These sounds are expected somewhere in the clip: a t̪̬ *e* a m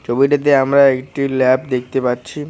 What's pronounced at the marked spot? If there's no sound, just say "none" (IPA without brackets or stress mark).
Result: e